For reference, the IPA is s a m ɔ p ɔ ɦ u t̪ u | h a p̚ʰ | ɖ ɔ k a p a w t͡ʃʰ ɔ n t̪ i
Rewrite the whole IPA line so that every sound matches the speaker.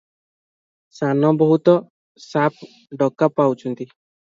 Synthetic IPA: s a n ɔ b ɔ ɦ u t̪ ɔ | s a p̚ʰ | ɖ ɔ k a p a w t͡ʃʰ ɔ n t̪ i